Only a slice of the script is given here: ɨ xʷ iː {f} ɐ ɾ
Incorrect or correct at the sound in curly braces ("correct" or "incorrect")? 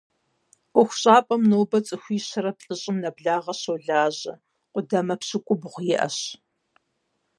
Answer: incorrect